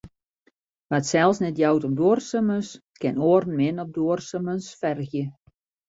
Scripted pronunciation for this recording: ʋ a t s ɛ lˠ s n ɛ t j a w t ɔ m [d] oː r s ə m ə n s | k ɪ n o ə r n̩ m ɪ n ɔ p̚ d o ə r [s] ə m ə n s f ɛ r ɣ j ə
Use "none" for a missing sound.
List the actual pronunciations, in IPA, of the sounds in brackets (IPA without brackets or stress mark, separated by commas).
d, s